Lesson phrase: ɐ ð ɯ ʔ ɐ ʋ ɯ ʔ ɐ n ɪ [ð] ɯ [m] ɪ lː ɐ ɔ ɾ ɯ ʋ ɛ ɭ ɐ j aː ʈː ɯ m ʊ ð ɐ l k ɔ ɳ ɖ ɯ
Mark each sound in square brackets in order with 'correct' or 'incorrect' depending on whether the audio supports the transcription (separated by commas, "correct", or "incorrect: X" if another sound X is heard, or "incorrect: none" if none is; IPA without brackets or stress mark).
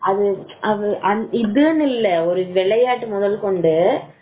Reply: correct, incorrect: n